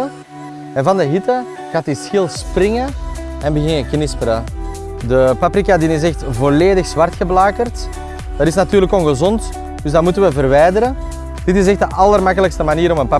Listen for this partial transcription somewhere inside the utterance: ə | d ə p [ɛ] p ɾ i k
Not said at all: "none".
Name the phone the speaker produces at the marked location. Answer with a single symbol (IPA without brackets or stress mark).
a